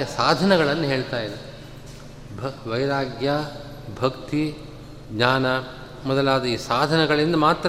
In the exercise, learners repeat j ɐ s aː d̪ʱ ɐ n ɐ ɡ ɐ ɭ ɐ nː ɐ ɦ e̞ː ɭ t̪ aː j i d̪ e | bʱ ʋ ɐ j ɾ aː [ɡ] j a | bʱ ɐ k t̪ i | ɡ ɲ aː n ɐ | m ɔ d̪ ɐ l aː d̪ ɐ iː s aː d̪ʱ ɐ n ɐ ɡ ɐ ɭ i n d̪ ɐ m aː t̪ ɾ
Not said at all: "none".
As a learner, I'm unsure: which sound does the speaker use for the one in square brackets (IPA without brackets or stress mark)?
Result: ɡ